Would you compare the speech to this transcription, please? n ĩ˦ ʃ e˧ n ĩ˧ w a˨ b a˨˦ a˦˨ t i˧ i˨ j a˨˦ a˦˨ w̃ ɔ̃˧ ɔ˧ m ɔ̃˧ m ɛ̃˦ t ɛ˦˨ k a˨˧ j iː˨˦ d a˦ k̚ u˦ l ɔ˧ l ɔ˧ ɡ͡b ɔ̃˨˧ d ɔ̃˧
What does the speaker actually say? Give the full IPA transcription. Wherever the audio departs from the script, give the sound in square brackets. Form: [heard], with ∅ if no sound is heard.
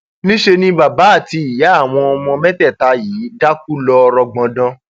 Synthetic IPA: n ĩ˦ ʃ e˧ n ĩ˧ [b] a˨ b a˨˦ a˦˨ t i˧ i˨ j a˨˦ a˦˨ w̃ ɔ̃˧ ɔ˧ m ɔ̃˧ m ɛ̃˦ t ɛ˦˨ [t] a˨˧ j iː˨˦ d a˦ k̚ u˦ l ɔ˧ [ɾ] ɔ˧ ɡ͡b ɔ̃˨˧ d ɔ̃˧